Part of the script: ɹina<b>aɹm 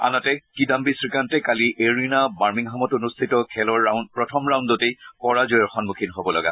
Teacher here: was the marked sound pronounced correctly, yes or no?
yes